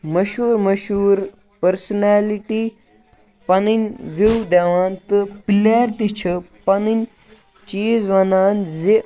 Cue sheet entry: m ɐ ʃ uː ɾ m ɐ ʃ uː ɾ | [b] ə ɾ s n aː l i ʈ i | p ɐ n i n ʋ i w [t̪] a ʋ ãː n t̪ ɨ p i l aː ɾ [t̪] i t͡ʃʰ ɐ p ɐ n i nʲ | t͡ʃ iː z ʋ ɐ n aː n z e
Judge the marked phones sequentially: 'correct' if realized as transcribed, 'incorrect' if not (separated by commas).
incorrect, incorrect, correct